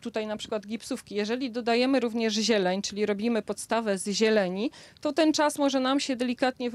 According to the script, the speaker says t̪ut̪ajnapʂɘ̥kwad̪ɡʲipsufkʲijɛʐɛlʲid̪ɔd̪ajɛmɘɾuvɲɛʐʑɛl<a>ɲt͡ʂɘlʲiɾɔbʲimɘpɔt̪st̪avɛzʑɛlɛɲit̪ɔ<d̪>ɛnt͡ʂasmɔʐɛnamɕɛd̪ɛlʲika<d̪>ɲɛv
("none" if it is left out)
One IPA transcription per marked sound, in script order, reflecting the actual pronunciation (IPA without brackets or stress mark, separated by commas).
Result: ɛ, t̪, t̪